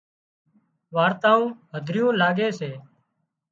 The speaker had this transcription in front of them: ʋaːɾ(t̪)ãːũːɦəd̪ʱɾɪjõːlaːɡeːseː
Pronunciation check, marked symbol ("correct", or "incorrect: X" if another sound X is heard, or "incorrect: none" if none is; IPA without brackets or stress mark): correct